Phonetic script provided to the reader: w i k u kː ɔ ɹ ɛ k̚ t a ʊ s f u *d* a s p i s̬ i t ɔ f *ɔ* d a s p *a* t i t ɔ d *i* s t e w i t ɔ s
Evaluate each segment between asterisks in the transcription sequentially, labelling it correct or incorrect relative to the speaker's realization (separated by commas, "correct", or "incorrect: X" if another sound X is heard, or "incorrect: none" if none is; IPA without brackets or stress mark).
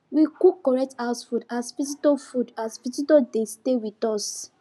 correct, incorrect: u, incorrect: i, incorrect: e